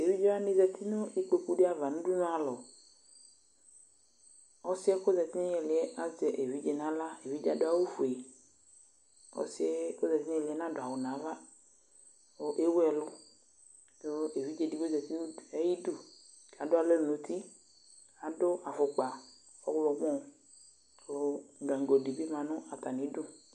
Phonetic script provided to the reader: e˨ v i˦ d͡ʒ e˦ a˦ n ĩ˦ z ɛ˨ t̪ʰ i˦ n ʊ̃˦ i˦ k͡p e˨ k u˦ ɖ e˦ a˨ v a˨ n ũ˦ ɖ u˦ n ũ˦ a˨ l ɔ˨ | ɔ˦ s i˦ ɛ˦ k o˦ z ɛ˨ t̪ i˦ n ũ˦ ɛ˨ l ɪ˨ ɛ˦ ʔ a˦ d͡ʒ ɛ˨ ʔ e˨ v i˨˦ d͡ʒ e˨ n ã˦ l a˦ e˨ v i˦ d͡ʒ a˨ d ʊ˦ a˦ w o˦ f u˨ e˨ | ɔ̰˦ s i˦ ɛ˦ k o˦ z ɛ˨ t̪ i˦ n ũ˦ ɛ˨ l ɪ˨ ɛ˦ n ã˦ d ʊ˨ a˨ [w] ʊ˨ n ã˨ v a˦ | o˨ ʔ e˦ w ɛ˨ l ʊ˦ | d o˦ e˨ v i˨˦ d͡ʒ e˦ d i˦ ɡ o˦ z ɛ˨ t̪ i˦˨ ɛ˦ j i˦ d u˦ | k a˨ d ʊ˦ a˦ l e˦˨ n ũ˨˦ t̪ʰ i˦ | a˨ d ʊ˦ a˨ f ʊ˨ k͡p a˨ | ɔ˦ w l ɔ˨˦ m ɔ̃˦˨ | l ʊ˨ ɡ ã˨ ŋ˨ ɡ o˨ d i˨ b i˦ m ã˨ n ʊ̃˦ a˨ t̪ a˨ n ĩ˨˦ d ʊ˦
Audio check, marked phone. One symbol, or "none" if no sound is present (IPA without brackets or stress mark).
w